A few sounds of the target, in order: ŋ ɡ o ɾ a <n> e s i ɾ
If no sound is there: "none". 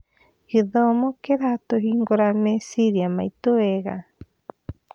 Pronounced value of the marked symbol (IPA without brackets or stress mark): m